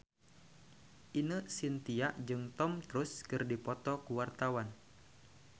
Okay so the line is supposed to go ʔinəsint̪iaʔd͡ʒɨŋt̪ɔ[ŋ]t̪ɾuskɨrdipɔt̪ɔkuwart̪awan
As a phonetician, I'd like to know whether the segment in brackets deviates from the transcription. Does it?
yes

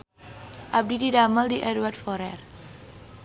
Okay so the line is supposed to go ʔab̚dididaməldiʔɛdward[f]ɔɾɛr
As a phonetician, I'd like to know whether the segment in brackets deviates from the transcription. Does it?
no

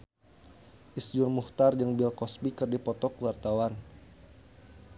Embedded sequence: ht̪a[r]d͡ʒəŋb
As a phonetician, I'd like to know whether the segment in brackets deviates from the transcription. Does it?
no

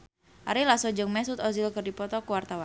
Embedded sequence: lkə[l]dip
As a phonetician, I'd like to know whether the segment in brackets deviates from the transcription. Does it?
yes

